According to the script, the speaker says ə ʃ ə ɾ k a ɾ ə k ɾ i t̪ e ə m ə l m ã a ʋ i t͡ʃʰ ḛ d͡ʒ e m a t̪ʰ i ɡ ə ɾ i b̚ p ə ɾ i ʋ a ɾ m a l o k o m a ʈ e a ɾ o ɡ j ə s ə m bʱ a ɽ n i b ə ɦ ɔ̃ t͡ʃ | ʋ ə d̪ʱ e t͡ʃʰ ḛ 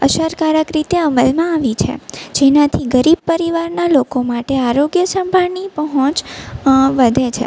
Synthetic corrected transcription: ə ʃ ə ɾ k a ɾ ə k ɾ i t̪ e ə m ə l m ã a ʋ i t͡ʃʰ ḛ d͡ʒ e n a t̪ʰ i ɡ ə ɾ i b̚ p ə ɾ i ʋ a ɾ n a l o k o m a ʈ e a ɾ o ɡ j ə s ə m bʱ a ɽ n i p ə ɦ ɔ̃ t͡ʃ | ʋ ə d̪ʱ e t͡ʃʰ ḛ